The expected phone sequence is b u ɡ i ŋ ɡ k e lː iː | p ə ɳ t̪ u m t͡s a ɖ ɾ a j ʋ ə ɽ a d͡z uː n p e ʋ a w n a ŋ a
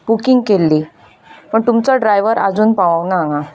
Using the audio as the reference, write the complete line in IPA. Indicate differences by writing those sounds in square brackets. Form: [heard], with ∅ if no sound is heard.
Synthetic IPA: b u [k] i ŋ ɡ k e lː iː | p ə ɳ t̪ u m t͡s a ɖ ɾ a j ʋ ə [ɾ] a d͡z uː n p [a] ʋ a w n a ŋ a